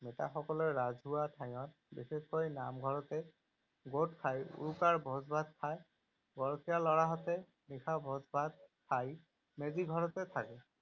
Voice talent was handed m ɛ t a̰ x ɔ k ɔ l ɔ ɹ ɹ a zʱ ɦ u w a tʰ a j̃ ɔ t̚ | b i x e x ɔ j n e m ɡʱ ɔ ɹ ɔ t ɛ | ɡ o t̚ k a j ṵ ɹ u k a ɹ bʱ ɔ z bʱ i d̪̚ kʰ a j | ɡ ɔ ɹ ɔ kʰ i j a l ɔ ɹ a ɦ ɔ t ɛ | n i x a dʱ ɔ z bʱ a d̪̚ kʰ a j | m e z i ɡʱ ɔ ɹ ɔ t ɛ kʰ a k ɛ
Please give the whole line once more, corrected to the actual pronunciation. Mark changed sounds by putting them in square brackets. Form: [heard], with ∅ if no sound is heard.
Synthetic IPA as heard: m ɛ t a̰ x ɔ k ɔ l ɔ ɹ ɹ a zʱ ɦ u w a tʰ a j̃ ɔ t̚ | b i x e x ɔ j n [a] m ɡʱ ɔ ɹ ɔ t ɛ | ɡ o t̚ [kʰ] a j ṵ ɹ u k a ɹ bʱ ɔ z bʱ [a] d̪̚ kʰ a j | ɡ ɔ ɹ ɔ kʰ i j a l ɔ ɹ a ɦ ɔ t ɛ | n i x a [bʱ] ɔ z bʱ a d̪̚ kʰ a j | m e z i ɡʱ ɔ ɹ ɔ t ɛ [tʰ] a k ɛ